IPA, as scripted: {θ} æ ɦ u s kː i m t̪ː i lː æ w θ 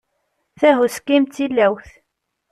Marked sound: correct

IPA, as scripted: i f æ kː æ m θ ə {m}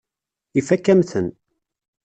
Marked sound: incorrect: n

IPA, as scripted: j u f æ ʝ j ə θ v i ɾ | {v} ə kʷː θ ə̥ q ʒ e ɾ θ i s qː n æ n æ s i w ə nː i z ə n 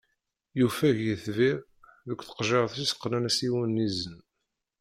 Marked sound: incorrect: ð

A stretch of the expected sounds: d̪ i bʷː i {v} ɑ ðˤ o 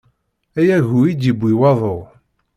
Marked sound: incorrect: w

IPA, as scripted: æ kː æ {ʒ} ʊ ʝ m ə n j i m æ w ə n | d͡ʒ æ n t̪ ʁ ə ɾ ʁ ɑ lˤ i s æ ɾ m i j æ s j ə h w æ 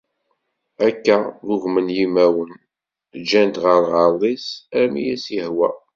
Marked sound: incorrect: ð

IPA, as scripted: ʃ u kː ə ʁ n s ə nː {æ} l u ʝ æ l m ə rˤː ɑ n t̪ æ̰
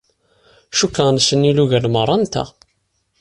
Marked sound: incorrect: i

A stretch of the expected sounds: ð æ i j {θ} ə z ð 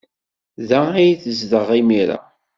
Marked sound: correct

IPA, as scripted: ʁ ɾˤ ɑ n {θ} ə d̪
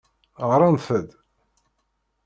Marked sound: correct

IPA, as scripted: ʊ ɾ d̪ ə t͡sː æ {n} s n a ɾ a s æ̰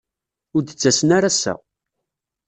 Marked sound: incorrect: none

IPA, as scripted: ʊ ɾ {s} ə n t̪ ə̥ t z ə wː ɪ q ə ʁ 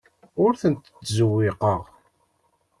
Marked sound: incorrect: θ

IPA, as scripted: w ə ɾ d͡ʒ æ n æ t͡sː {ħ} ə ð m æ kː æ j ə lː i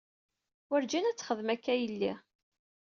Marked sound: incorrect: χ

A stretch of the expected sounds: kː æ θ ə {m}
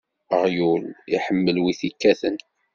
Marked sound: incorrect: n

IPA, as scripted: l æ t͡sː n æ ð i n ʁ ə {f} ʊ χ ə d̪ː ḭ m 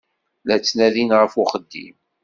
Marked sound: correct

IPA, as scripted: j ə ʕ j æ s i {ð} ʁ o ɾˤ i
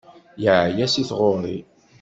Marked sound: incorrect: θ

